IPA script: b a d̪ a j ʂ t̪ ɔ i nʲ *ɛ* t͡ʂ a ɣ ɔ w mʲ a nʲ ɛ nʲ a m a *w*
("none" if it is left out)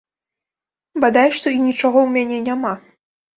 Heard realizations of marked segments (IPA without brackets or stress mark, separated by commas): i, none